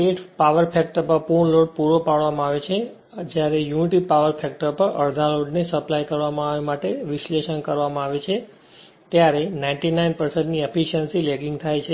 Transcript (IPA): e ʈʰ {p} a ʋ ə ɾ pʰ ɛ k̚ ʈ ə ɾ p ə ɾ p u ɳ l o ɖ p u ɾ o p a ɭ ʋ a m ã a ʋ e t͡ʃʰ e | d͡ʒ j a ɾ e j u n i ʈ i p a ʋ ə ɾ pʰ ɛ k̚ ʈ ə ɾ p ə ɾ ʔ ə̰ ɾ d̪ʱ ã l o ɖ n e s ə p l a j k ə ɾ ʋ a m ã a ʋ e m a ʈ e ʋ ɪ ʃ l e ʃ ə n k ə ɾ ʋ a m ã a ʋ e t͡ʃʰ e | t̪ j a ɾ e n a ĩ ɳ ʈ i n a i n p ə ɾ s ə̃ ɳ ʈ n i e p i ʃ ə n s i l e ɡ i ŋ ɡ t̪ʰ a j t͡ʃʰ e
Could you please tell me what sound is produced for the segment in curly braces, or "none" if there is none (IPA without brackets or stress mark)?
p